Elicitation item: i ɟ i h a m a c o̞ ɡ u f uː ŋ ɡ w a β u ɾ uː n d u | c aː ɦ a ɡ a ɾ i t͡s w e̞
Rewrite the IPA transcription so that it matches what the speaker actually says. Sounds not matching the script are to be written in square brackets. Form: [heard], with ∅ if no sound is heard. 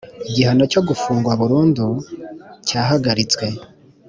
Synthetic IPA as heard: i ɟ i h a [n] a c o̞ ɡ u f uː ŋ ɡ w a β u ɾ uː n d u | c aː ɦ a ɡ a ɾ i t͡s w e̞